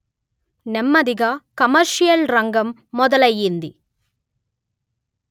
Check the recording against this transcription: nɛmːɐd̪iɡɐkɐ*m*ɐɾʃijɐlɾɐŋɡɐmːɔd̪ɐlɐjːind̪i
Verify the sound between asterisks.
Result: correct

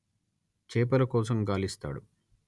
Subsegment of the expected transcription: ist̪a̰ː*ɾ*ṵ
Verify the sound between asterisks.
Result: incorrect: ɽ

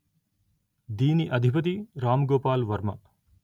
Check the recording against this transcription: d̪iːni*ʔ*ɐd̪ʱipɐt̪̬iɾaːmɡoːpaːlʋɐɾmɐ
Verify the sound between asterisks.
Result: correct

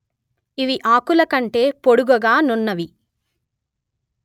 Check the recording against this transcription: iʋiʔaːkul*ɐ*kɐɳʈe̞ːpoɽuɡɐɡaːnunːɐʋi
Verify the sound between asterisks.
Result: correct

